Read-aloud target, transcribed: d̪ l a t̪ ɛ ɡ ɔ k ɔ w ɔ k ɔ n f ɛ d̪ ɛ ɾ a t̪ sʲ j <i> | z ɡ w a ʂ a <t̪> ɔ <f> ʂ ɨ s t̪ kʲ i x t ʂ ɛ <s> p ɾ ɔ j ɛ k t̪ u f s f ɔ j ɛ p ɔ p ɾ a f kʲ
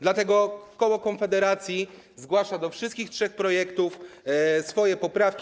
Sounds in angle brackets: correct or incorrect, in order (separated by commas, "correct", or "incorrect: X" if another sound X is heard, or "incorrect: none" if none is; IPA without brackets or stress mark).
correct, incorrect: d̪, correct, incorrect: x